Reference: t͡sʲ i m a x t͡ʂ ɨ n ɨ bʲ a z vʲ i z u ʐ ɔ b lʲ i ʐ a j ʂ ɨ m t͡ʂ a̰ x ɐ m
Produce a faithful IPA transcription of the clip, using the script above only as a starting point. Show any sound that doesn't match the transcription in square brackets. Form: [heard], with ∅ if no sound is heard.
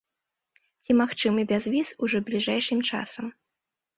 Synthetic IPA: t͡sʲ i m a x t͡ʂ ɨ [m] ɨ bʲ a z vʲ i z u ʐ ɔ b lʲ i ʐ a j ʂ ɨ m t͡ʂ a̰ [s] ɐ m